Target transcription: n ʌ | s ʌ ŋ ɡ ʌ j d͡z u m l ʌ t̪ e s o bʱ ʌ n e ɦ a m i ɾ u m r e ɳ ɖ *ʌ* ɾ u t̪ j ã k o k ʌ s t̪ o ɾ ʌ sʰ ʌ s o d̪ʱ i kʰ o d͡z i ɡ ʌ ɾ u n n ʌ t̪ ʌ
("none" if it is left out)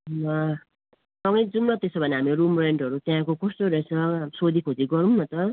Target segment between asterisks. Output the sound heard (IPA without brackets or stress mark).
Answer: ʌ